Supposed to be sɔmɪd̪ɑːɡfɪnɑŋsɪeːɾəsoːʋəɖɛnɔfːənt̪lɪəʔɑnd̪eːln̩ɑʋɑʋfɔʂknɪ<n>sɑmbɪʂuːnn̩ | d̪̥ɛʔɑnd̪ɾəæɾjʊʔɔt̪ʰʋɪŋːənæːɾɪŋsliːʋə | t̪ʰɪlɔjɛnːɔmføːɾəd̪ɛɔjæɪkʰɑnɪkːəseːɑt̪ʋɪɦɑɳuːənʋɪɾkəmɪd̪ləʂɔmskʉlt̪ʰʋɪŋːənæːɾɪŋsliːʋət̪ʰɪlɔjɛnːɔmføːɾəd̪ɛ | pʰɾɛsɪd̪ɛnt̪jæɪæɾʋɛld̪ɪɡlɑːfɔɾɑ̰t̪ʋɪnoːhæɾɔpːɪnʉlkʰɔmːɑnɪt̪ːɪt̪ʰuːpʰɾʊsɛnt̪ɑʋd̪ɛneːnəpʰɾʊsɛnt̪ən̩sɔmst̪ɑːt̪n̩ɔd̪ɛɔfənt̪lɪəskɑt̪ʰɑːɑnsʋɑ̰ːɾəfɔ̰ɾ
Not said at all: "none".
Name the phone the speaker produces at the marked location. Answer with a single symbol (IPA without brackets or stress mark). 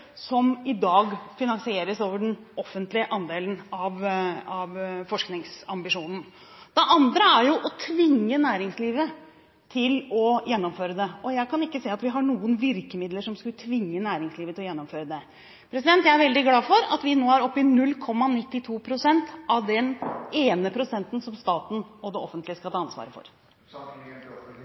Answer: ŋ